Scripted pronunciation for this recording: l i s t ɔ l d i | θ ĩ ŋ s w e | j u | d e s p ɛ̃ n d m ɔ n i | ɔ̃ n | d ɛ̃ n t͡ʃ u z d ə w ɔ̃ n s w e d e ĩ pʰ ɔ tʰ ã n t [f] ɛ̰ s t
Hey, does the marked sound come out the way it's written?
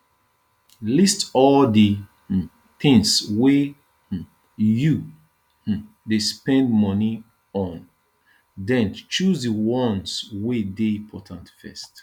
yes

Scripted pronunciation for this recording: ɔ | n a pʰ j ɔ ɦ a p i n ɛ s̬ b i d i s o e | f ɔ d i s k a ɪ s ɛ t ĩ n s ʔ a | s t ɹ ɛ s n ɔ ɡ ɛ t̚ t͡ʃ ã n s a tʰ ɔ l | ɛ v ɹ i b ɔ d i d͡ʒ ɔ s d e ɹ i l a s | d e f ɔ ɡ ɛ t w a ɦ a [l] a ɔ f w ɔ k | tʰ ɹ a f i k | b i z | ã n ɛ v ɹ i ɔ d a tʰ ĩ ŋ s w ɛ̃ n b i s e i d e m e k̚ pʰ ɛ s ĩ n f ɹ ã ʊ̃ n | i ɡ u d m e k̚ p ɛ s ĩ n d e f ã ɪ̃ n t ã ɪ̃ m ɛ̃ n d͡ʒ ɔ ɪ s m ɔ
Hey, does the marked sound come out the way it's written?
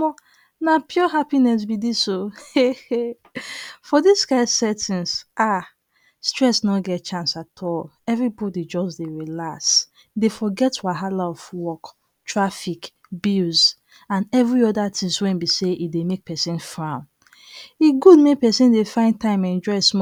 yes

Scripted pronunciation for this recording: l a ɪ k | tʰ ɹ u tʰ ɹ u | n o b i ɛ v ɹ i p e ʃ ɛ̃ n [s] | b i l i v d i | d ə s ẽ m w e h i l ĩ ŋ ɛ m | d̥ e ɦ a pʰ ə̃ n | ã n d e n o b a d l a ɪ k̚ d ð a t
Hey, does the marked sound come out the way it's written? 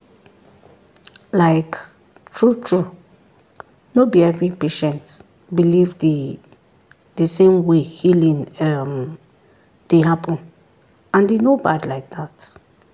no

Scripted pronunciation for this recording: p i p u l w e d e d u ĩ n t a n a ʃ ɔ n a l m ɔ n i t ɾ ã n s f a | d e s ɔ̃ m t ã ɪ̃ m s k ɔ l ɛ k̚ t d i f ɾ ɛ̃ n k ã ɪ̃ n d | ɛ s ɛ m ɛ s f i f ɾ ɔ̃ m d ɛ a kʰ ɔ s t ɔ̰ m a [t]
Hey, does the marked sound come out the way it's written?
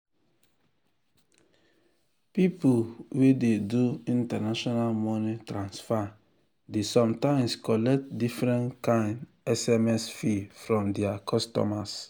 no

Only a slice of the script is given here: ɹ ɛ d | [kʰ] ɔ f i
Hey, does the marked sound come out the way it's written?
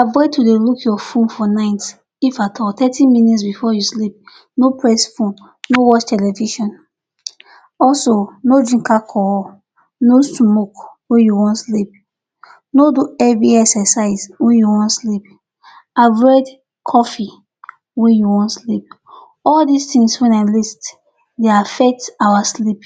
yes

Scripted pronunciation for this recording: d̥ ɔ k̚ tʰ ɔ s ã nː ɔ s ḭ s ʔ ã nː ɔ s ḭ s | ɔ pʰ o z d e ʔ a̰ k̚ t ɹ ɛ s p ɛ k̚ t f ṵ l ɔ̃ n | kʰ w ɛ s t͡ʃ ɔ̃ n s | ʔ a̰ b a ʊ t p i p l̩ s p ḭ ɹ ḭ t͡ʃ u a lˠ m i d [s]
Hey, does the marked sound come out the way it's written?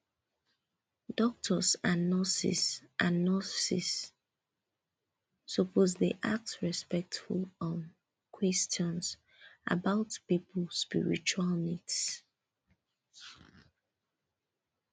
yes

